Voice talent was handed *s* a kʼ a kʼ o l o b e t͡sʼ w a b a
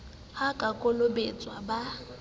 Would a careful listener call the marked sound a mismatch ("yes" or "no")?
yes